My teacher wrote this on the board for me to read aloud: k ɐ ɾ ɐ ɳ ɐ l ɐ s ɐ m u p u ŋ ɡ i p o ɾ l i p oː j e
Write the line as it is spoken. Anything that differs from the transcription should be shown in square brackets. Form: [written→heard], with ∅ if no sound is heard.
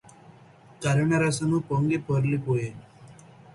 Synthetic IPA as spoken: k ɐ ɾ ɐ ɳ ɐ [l→ɾ] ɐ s ɐ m u p [u→o] ŋ ɡ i p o ɾ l i p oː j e